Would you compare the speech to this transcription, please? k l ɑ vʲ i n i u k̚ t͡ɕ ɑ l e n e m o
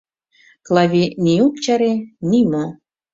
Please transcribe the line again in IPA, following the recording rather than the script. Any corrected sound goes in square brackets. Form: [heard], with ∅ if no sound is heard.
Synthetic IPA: k l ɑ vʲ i n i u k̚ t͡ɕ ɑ [ɾ] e n [i] m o